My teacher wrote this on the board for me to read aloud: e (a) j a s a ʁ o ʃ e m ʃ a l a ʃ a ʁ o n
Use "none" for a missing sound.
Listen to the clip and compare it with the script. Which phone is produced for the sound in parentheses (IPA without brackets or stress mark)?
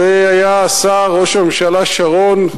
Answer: a